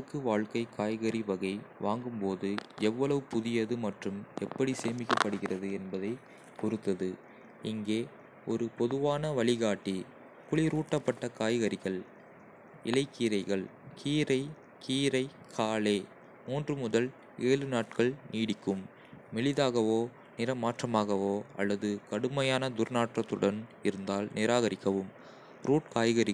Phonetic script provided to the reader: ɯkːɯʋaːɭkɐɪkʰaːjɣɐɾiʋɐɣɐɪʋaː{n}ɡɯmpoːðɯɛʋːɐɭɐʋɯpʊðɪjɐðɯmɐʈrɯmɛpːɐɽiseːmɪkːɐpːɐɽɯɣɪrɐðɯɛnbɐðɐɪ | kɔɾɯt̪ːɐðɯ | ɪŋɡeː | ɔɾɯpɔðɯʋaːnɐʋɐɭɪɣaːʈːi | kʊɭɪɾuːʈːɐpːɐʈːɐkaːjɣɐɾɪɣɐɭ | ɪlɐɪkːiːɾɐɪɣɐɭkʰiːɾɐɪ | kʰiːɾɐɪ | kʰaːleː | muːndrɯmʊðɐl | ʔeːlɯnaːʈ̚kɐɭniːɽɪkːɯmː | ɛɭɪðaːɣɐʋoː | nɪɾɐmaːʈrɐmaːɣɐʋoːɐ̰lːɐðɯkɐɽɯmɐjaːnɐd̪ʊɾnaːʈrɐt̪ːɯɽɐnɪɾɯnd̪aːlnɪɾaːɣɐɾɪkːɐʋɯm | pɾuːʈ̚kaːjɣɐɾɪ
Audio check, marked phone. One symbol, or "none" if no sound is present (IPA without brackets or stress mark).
ŋ